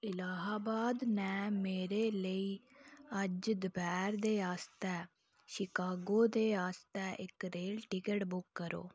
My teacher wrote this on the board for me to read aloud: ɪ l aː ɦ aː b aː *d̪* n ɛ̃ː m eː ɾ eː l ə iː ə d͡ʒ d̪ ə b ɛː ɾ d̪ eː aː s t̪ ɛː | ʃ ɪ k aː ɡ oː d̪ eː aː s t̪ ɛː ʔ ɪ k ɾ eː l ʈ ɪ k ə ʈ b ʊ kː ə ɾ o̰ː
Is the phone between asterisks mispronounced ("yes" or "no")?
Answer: no